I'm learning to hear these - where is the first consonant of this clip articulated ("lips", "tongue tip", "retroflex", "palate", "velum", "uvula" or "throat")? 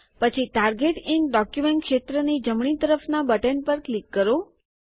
lips